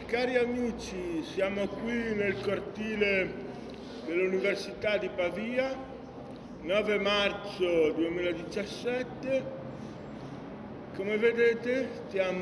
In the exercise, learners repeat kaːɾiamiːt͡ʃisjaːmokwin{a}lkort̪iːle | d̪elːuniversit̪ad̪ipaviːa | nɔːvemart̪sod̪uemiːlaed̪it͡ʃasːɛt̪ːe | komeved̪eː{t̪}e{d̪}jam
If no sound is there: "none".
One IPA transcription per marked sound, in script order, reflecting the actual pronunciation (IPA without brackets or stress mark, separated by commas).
e, t̪, t̪